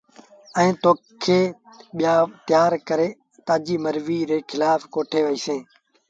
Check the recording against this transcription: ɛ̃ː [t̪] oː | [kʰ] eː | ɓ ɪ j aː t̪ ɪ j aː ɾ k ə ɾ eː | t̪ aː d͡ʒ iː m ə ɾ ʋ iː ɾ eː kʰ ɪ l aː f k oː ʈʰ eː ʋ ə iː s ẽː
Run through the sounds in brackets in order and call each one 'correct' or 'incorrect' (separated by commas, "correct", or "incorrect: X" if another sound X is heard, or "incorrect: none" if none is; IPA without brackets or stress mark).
correct, correct